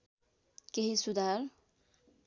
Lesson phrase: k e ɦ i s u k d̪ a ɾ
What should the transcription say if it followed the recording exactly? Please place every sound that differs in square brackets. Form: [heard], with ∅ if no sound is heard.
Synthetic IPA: k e ɦ i s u [∅] d̪ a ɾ